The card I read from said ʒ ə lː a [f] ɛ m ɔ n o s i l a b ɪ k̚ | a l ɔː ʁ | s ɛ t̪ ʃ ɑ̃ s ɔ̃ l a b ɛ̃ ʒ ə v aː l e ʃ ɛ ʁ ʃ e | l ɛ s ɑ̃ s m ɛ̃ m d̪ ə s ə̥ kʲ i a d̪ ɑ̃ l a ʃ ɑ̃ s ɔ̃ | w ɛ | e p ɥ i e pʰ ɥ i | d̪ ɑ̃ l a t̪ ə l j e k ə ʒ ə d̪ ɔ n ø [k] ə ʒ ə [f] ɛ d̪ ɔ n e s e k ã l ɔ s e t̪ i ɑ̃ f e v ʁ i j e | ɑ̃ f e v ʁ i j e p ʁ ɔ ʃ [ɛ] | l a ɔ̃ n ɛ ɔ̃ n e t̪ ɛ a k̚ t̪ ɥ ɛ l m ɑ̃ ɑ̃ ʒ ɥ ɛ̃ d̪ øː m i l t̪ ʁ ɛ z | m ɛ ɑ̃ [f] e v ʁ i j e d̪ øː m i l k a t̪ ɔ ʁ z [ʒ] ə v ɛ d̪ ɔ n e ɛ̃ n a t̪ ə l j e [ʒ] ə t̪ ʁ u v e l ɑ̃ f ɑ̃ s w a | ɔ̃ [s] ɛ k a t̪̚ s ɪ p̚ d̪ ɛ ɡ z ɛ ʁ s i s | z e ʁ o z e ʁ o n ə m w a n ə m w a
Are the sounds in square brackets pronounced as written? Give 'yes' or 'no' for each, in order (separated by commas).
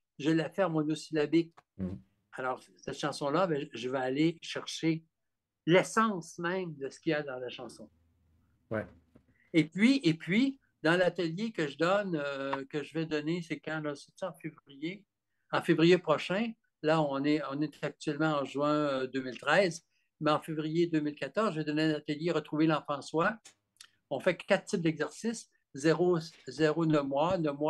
yes, yes, no, no, yes, yes, no, no